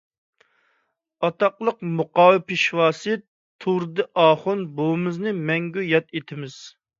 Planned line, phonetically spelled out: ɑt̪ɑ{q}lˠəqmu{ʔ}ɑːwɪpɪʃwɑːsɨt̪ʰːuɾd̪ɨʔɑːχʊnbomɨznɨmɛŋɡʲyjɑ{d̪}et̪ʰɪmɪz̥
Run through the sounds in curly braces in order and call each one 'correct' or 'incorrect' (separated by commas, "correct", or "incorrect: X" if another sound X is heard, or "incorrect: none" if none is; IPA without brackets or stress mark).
correct, incorrect: q, incorrect: t̪